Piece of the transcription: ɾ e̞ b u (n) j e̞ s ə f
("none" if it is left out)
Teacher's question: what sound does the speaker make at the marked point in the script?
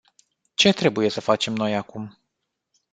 none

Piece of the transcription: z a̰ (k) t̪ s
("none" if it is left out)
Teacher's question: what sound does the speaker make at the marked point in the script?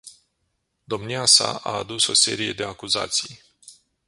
none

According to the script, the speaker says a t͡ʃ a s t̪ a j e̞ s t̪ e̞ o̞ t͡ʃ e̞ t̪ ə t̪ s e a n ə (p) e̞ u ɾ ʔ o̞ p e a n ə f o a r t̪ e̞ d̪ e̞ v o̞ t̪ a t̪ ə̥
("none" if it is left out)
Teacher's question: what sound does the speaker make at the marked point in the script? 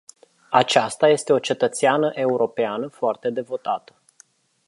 ʔ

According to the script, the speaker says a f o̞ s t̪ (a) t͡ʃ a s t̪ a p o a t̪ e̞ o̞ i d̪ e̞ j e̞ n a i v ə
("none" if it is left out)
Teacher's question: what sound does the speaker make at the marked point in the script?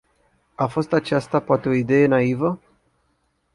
a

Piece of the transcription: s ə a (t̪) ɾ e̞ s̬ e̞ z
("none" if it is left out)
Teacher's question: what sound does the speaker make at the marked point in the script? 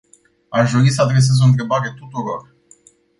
d̪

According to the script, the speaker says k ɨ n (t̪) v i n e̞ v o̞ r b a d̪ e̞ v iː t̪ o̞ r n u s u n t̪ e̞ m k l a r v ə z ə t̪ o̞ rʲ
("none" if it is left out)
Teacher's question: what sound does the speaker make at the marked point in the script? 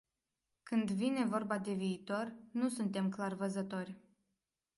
d̪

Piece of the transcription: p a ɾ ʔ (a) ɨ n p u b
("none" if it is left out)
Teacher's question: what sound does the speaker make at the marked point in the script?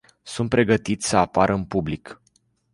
ə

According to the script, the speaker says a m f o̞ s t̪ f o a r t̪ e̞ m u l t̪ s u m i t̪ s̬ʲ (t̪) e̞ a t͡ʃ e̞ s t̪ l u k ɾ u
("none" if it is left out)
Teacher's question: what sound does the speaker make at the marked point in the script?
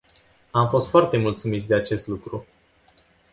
d̪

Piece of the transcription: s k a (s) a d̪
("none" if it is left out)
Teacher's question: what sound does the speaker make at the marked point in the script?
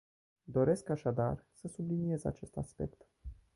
ʃ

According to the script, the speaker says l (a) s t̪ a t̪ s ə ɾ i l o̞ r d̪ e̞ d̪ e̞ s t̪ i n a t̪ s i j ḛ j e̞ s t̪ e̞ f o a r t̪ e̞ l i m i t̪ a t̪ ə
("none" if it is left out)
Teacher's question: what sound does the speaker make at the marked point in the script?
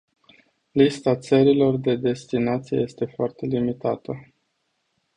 i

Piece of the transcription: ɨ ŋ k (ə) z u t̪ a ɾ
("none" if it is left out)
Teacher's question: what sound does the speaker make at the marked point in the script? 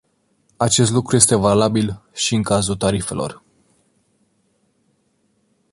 a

